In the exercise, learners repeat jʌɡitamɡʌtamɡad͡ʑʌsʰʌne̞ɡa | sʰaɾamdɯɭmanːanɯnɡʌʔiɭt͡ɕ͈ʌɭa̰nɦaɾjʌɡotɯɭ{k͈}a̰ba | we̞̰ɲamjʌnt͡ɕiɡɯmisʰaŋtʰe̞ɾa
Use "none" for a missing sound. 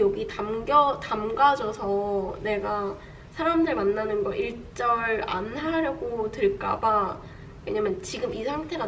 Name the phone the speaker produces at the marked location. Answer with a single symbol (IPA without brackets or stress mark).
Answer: k͈